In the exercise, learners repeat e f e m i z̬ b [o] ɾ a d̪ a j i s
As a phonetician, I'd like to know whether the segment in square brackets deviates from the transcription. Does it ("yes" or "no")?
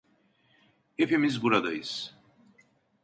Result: yes